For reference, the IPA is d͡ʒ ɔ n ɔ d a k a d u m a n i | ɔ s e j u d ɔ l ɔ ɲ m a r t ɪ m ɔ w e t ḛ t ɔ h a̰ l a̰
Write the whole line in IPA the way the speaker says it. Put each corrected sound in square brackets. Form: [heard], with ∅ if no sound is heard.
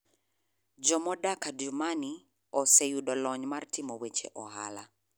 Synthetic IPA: d͡ʒ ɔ [m] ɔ d a k a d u m a n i | ɔ s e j u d ɔ l ɔ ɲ m a r t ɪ m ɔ w e [t͡ʃ] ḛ [ʔ] ɔ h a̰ l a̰